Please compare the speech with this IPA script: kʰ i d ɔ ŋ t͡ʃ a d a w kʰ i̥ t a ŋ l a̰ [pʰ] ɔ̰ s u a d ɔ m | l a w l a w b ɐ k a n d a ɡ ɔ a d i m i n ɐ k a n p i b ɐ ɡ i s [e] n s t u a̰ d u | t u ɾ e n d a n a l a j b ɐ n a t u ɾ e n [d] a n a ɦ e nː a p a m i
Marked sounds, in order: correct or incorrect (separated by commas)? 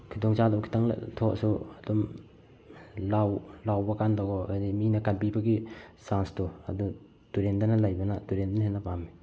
incorrect, incorrect, correct